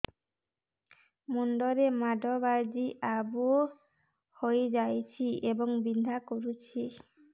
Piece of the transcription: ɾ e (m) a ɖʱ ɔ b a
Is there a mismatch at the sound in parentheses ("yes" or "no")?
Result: no